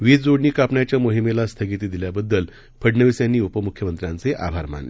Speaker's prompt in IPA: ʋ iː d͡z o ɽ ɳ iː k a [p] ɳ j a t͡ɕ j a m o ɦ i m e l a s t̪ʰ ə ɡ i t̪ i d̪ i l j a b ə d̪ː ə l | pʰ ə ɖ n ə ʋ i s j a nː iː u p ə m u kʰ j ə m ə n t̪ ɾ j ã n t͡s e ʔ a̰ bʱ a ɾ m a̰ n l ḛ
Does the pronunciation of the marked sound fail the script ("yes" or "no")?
no